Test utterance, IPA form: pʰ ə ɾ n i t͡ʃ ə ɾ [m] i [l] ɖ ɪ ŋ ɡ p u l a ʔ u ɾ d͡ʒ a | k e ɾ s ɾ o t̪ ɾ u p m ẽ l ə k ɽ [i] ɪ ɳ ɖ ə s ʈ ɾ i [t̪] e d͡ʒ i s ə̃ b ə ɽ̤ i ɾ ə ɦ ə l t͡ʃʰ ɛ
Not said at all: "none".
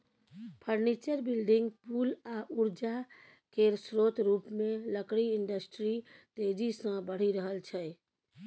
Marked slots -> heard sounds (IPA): b, l, i, t̪

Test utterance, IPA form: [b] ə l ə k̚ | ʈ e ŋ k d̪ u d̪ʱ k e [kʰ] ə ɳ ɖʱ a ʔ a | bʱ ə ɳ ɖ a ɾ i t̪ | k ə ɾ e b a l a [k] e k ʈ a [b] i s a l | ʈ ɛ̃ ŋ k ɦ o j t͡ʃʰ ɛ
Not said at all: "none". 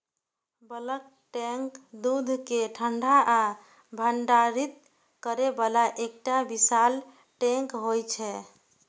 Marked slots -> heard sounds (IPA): b, ʈʰ, ʔ, b

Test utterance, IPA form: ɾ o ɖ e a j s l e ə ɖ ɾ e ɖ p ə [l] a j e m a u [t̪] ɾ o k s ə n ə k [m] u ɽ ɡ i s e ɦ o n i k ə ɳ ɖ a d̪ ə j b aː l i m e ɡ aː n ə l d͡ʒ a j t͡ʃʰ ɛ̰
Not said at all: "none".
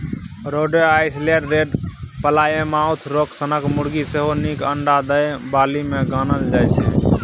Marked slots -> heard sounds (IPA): l, t̪ʰ, m

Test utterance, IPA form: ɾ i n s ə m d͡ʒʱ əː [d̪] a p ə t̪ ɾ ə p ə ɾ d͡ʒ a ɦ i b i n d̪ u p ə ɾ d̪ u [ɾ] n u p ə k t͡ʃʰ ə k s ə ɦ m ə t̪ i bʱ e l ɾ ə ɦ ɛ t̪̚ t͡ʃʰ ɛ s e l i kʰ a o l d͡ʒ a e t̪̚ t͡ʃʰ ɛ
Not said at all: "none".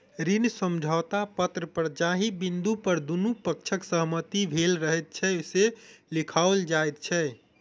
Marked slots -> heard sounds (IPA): t̪, none

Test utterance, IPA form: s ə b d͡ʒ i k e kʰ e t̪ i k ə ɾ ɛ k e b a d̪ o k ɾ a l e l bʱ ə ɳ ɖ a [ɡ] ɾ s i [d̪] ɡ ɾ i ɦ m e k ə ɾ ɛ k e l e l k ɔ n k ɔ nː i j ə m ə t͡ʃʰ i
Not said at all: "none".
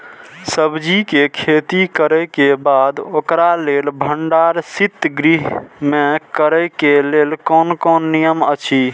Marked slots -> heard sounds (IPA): none, t̪

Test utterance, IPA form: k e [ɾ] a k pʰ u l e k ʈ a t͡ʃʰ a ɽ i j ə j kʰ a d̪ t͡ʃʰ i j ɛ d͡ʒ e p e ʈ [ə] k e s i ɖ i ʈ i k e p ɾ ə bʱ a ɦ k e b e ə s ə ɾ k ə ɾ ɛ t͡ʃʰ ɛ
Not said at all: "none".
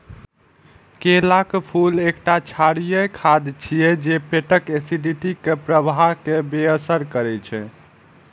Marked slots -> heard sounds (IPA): l, ə

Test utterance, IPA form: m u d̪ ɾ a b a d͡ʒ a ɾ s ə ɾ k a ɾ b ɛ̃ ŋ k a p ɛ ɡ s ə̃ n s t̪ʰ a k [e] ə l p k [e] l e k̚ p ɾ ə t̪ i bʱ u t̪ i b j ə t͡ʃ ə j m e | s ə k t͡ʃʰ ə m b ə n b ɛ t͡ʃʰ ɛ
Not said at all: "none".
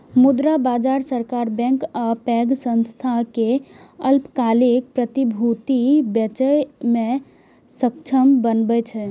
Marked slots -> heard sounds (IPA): e, a

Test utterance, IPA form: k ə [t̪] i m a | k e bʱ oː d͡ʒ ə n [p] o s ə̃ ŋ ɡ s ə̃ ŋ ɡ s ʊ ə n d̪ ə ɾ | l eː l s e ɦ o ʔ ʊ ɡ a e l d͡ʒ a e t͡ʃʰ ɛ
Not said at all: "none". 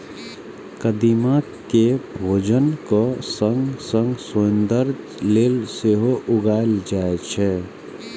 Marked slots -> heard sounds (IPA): d̪, k

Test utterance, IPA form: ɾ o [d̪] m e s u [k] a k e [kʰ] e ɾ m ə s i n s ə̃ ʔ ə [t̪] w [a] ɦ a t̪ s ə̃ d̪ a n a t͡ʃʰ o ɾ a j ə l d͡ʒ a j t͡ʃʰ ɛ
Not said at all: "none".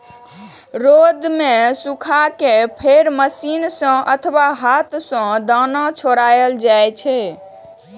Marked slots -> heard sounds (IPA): d̪, kʰ, pʰ, t̪ʰ, a

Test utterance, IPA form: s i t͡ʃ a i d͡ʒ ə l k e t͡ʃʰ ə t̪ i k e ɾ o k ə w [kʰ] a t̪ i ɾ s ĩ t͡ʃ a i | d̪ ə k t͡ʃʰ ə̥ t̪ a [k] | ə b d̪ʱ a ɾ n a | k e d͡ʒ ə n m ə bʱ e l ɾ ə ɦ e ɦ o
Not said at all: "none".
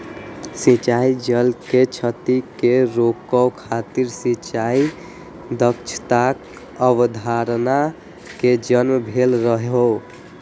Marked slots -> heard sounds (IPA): kʰ, k

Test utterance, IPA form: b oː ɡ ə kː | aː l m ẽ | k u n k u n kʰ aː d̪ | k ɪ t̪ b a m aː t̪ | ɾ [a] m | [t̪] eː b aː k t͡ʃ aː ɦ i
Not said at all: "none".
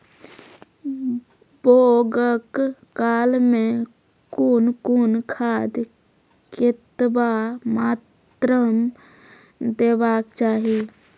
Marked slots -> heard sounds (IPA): ə, d̪

